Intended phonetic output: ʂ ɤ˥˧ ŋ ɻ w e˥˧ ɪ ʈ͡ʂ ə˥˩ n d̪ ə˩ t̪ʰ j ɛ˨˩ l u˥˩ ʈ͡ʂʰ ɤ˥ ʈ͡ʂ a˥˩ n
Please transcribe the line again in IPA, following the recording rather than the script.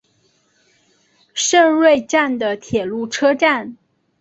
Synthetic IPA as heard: ʂ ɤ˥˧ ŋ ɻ w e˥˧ ɪ ʈ͡ʂ a˥˩ n d̪ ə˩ t̪ʰ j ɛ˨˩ l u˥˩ ʈ͡ʂʰ ɤ˥ ʈ͡ʂ a˥˩ n

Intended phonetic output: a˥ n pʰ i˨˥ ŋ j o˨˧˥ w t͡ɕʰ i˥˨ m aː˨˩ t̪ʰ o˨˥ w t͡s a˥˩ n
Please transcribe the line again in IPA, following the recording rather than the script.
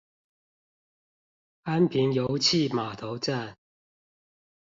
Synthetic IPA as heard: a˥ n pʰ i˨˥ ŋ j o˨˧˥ w t͡ɕʰ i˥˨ m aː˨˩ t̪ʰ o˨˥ w t͡s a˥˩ n

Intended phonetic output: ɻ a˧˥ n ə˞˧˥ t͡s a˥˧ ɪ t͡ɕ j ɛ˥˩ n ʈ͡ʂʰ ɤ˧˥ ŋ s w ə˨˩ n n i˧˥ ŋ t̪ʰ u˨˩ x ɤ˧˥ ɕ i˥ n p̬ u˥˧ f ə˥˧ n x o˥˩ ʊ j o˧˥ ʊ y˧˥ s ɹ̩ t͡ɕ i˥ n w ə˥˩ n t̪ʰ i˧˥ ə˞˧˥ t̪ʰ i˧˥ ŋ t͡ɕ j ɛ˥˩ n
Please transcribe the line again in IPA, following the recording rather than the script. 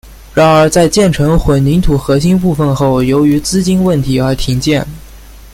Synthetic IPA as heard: ɻ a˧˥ n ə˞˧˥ t͡s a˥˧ ɪ t͡ɕ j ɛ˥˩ n ʈ͡ʂʰ ɤ˧˥ ŋ x w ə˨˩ n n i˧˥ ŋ t̪ʰ u˨˩ x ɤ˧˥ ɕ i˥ n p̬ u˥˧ f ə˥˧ n x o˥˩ ʊ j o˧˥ ʊ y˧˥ t͡s ɹ̩ t͡ɕ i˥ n w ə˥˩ n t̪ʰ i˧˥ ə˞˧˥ t̪ʰ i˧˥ ŋ t͡ɕ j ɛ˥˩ n

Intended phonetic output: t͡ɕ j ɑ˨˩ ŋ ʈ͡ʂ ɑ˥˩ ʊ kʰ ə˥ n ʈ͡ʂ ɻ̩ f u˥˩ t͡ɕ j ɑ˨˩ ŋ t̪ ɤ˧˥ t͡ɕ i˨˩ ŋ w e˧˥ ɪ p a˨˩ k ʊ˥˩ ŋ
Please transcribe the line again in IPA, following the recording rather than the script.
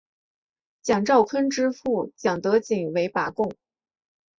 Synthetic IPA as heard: t͡ɕ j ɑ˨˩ ŋ ʈ͡ʂ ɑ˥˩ ʊ kʰ ə˥ n ʈ͡ʂ ɻ̩ f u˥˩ t͡ɕ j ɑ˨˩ ŋ t̪ ɤ˧˥ t͡ɕ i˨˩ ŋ w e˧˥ ɪ p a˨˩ k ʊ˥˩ ŋ

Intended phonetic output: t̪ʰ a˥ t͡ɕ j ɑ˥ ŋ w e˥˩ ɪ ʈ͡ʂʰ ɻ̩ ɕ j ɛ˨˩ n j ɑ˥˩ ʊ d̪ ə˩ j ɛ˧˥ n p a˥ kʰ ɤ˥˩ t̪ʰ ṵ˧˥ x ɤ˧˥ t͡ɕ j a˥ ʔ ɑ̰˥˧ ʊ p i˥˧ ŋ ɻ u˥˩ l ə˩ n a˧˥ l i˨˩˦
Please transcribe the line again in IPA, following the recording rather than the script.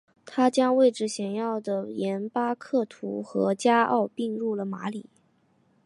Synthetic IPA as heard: t̪ʰ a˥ t͡ɕ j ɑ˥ ŋ w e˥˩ ɪ ʈ͡ʂ ɻ̩ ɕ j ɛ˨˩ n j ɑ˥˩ ʊ d̪ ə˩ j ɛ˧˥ n p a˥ kʰ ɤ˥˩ t̪ʰ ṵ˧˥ x ɤ˧˥ t͡ɕ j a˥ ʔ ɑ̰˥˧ ʊ p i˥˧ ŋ ɻ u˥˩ l ə˩ m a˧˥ l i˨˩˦

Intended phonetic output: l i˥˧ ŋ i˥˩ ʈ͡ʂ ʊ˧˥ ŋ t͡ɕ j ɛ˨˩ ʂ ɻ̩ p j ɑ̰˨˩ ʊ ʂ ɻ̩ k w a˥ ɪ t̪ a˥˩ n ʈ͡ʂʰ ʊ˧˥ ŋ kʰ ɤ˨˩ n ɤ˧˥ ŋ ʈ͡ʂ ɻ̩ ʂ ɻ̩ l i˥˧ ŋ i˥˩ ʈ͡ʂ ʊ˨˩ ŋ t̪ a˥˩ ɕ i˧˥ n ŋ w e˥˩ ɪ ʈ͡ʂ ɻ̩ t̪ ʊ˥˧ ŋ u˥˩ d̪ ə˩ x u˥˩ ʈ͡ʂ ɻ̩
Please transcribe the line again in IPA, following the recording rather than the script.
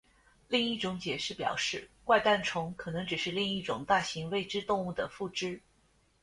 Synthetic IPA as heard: l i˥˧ ŋ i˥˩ ʈ͡ʂ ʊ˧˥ ŋ t͡ɕ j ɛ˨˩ ʂ ɻ̩ p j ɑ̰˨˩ ʊ ʂ ɻ̩ k w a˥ ɪ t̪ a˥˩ n ʈ͡ʂʰ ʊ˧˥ ŋ kʰ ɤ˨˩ n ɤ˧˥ ŋ ʈ͡ʂ ɻ̩ ʂ ɻ̩ l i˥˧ ŋ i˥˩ ʈ͡ʂ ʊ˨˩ ŋ t̪ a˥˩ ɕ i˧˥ ŋ w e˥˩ ɪ ʈ͡ʂ ɻ̩ t̪ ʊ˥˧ ŋ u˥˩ d̪ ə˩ f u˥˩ ʈ͡ʂ ɻ̩

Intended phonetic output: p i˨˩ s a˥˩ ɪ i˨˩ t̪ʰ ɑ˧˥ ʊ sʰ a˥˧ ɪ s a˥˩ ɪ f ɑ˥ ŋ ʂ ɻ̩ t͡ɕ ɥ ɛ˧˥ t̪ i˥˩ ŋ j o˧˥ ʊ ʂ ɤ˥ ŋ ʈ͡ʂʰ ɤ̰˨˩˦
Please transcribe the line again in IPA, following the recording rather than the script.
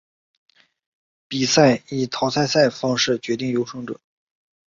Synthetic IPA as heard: p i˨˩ s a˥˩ ɪ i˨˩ t̪ʰ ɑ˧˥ ʊ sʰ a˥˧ ɪ s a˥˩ ɪ f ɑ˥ ŋ ʂ ɻ̩ t͡ɕ ɥ ɛ˧˥ t̪ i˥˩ ŋ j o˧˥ ʊ ʂ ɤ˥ ŋ ʈ͡ʂ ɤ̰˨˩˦

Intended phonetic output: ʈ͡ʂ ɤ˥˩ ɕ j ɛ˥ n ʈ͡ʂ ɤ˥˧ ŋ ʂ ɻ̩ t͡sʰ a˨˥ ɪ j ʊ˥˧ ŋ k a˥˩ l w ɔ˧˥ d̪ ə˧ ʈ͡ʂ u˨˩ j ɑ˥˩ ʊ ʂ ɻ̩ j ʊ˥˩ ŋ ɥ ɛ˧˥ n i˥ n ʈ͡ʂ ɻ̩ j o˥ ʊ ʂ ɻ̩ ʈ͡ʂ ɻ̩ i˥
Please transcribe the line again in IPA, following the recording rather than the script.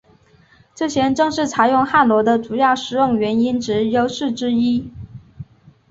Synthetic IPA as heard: ʈ͡ʂ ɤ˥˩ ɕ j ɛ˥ n ʈ͡ʂ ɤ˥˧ ŋ ʂ ɻ̩ t͡sʰ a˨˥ ɪ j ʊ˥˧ ŋ x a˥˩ l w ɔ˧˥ d̪ ə˧ ʈ͡ʂ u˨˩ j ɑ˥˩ ʊ ʂ ɻ̩ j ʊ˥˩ ŋ ɥ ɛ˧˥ n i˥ n ʈ͡ʂ ɻ̩ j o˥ ʊ ʂ ɻ̩ ʈ͡ʂ ɻ̩ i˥

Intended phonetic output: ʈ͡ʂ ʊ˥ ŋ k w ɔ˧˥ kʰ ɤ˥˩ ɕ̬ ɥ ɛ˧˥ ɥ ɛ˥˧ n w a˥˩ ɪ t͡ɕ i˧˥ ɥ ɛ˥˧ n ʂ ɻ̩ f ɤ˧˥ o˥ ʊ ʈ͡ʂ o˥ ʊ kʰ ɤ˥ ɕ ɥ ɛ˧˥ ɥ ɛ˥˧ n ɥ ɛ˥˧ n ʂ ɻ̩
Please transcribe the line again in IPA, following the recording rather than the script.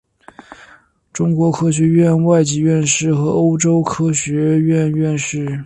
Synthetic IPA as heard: ʈ͡ʂ ʊ˥ ŋ k w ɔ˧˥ kʰ ɤ˥ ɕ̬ ɥ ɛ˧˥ ɥ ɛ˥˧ n w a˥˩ ɪ t͡ɕ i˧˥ ɥ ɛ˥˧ n ʂ ɻ̩ x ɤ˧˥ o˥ ʊ ʈ͡ʂ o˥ ʊ kʰ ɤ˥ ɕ ɥ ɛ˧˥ ɥ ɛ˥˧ n ɥ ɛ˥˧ n ʂ ɻ̩

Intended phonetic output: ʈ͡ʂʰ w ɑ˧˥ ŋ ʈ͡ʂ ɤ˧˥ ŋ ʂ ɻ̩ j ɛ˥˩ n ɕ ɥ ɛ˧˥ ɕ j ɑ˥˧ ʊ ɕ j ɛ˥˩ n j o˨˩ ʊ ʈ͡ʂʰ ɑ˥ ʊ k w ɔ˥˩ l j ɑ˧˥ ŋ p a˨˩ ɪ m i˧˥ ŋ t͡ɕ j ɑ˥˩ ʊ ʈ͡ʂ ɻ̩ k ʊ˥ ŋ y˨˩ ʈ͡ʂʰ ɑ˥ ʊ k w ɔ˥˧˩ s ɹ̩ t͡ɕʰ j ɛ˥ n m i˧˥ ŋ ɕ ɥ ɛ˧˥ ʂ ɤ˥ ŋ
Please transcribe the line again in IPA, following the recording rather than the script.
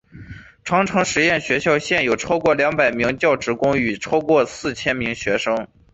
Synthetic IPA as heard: ʈ͡ʂʰ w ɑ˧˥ ŋ ʈ͡ʂʰ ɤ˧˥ ŋ ʂ ɻ̩ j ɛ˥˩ n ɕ ɥ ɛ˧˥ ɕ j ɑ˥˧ ʊ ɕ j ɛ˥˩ n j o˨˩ ʊ ʈ͡ʂʰ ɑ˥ ʊ k w ɔ˥˩ l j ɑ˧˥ ŋ p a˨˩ ɪ m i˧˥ ŋ t͡ɕ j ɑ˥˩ ʊ ʈ͡ʂ ɻ̩ k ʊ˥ ŋ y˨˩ ʈ͡ʂʰ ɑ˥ ʊ k w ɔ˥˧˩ s ɹ̩ t͡ɕʰ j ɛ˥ n m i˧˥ ŋ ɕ ɥ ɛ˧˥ ʂ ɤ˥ ŋ

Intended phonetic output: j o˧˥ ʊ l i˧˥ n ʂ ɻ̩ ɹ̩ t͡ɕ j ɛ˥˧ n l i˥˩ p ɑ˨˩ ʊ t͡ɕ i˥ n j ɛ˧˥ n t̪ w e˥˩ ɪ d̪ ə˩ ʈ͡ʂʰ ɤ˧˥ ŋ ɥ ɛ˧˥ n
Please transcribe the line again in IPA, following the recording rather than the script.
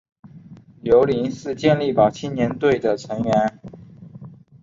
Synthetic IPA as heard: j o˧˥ ʊ l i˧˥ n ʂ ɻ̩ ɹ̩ t͡ɕ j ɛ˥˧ n l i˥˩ p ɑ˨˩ ʊ t͡ɕʰ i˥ n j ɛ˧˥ n t̪ w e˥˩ ɪ d̪ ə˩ ʈ͡ʂʰ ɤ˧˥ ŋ ɥ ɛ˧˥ n

